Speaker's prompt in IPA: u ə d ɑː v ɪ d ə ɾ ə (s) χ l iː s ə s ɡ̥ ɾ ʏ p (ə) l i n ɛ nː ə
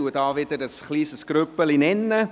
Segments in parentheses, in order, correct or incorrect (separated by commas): correct, correct